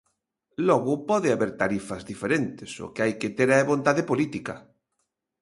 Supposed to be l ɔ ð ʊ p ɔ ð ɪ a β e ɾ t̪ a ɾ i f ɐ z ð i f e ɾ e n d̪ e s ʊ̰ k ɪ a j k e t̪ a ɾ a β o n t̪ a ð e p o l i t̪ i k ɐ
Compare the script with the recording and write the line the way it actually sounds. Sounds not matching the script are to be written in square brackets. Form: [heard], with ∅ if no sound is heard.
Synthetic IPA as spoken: l ɔ [ɣ] ʊ p ɔ ð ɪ a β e ɾ t̪ a ɾ i f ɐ z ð i f e ɾ e n [t̪] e s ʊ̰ k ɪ a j k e t̪ [e] ɾ [ɛ] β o n t̪ a ð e p o l i t̪ i k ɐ